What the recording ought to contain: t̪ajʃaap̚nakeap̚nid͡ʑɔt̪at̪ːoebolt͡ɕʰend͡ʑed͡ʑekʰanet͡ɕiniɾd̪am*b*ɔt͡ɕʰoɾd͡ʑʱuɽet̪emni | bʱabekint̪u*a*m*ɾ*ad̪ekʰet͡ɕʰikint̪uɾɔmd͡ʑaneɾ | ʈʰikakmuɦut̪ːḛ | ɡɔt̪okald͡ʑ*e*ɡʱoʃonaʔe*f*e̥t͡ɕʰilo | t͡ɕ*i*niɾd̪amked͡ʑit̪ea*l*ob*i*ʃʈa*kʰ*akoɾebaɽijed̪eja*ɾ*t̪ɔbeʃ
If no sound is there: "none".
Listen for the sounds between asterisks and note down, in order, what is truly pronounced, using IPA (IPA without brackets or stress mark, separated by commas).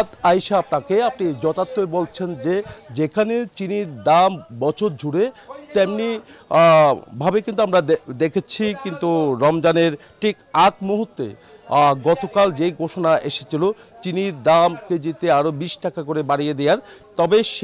b, a, ɾ, e, ʃ, i, ɾ, i, k, ɾ